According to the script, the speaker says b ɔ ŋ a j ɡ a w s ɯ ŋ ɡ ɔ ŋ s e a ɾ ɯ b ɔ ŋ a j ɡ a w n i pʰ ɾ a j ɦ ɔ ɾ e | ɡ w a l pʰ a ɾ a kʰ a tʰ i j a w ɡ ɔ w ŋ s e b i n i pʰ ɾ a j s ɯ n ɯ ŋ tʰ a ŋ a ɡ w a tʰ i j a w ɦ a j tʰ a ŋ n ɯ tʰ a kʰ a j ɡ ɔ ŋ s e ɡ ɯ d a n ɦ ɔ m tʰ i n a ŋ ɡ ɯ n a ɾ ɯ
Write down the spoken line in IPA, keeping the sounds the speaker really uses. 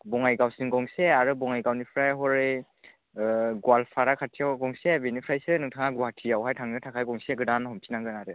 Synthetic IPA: b ɔ ŋ a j ɡ a w s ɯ ŋ ɡ ɔ ŋ s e a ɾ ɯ b ɔ ŋ a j ɡ a w n i pʰ ɾ a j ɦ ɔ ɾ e | ɡ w a l pʰ a ɾ a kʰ a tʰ i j a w ɡ ɔ ŋ s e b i n i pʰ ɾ a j s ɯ n ɯ ŋ tʰ a ŋ a ɡ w a tʰ i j a w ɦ a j tʰ a ŋ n ɯ tʰ a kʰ a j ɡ ɔ ŋ s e ɡ ɯ d a n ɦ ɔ m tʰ i n a ŋ ɡ ɯ n a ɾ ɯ